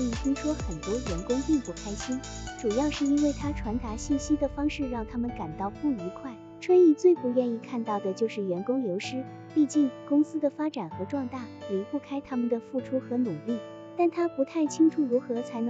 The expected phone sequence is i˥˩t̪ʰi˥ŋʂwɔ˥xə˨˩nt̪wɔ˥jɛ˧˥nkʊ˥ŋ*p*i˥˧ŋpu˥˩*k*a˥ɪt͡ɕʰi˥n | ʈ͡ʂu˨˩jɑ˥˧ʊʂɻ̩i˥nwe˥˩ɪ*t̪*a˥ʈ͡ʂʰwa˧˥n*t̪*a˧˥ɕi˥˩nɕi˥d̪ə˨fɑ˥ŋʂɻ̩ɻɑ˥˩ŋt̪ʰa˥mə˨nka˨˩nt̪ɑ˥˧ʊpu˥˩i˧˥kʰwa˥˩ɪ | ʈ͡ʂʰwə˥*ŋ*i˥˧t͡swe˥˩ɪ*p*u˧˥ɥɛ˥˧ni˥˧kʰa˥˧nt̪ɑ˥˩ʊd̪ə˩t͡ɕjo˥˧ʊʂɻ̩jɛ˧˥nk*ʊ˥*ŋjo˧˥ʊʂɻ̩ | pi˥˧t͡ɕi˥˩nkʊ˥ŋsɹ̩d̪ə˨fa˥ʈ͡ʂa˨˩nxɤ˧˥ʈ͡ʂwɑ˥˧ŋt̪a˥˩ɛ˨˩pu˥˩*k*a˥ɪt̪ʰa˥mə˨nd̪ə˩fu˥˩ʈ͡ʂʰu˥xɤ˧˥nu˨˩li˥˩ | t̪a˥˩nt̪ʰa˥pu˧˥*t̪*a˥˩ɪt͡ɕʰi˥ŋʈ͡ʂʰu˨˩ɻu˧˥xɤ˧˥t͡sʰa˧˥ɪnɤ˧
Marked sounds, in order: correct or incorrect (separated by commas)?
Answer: correct, incorrect, incorrect, correct, incorrect, correct, correct, incorrect, incorrect